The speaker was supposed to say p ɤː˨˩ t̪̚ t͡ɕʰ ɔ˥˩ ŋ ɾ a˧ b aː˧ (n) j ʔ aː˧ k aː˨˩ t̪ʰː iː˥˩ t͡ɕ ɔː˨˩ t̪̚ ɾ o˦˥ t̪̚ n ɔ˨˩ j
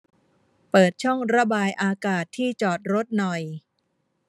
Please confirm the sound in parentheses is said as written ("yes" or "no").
no